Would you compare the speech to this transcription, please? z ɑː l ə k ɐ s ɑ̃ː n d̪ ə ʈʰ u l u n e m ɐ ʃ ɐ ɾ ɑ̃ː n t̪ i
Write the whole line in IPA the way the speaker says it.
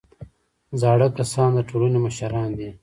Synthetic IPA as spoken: z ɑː ɽ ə k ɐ s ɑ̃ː n d̪ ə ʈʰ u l u n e m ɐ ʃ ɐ ɾ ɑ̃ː n d̪ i